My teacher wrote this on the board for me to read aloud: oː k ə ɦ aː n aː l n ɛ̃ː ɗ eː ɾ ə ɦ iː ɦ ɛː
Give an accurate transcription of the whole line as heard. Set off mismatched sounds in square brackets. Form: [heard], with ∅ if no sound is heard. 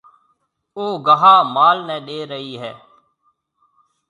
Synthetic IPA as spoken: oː [ɡ] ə ɦ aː [m] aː l n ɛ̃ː ɗ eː ɾ ə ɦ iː ɦ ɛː